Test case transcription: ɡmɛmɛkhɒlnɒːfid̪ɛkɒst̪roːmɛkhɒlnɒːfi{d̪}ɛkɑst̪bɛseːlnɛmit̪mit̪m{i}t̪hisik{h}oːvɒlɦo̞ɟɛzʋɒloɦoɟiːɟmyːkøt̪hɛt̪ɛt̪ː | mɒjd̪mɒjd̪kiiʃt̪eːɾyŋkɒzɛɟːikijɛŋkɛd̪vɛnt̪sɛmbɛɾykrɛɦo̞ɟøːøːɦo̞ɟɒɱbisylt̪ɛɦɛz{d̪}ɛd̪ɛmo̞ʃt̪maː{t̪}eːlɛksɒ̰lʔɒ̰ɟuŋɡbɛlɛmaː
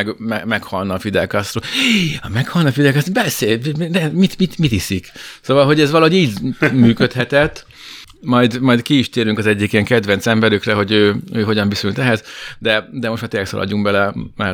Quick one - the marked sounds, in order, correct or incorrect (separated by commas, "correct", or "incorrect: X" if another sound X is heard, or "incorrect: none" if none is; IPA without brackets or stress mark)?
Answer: correct, correct, incorrect: s, correct, correct